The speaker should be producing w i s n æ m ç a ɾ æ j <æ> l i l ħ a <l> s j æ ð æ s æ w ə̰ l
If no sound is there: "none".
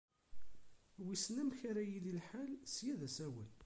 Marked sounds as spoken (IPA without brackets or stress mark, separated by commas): i, l